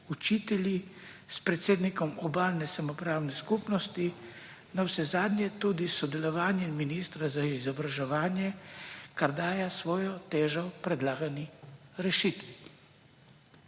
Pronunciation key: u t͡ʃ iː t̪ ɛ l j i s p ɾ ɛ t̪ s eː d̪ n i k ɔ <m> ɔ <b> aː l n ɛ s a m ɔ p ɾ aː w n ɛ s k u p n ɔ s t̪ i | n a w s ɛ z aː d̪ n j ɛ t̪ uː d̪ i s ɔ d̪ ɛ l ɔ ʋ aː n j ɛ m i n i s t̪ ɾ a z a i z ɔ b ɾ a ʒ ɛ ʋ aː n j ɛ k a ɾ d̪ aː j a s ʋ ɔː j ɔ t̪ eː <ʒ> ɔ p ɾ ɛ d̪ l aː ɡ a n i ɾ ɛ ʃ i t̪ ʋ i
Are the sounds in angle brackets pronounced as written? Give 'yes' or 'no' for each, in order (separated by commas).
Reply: yes, yes, yes